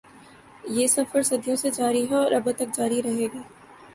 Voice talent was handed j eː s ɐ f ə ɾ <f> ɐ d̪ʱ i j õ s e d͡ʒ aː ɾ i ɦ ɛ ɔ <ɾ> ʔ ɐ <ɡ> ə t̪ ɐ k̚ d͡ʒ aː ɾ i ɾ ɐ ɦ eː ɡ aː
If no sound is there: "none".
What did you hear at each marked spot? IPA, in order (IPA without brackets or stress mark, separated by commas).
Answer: s, ɾ, b